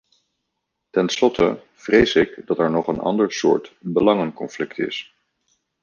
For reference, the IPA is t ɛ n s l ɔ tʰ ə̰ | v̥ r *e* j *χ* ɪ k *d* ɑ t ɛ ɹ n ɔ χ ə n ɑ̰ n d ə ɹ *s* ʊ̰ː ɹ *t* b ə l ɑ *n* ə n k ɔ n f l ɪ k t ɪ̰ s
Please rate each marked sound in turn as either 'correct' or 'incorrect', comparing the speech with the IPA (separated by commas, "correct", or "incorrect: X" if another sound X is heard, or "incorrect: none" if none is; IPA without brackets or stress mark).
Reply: correct, incorrect: s, correct, correct, correct, incorrect: ŋ